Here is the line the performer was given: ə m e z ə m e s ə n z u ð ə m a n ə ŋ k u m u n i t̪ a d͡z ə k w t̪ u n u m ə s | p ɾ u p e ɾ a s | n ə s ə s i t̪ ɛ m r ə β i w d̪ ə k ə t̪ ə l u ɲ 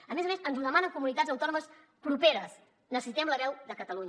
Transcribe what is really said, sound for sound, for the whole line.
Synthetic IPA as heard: ə m e z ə m e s ə n z u ð ə m a n ə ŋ k u m u n i t̪ a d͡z ə w t̪ ɔ n u m ə s | p ɾ u p e ɾ ə s | n ə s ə s i t̪ ɛ m l ə β ɛ w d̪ ə k ə t̪ ə l u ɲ